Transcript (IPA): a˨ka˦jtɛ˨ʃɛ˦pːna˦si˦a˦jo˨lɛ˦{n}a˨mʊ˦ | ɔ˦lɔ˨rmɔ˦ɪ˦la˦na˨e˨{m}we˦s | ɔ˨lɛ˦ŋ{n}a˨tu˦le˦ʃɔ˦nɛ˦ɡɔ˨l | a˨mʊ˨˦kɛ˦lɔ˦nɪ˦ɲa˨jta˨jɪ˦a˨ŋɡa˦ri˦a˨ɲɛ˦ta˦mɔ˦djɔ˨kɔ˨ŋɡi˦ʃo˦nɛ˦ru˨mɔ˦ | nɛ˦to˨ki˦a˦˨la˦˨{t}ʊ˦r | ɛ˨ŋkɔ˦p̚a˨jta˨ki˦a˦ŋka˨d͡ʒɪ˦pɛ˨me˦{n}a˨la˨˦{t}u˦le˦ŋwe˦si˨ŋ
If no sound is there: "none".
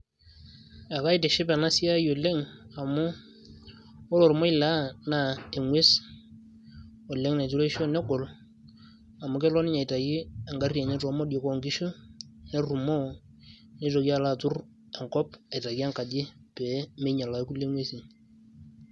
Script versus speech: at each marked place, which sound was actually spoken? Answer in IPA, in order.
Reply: ŋ, ŋ, n, t, ɲ, k

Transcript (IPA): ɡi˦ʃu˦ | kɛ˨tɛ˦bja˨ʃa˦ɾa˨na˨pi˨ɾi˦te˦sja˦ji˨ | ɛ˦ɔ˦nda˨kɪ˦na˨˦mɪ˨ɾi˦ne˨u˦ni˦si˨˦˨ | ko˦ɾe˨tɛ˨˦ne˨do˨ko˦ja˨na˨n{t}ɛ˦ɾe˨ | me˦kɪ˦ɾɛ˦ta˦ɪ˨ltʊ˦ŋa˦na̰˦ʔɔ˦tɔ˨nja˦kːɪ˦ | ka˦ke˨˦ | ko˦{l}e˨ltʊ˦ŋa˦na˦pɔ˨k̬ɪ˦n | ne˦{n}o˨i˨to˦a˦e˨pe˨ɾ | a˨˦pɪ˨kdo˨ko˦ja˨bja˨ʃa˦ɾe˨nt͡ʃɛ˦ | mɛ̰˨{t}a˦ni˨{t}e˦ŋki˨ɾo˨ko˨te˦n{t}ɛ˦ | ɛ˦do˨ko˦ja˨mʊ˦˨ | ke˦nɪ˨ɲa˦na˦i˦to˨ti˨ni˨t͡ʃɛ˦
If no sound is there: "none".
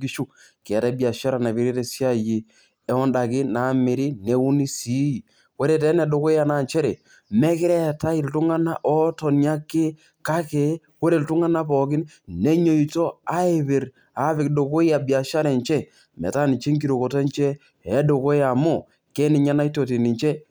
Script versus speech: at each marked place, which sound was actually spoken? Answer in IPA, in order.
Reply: t͡ʃ, ɾ, ɲ, t, t͡ʃ, t͡ʃ

